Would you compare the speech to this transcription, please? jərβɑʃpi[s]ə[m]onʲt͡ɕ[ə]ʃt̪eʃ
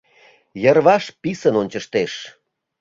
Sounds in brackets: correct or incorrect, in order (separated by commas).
correct, incorrect, correct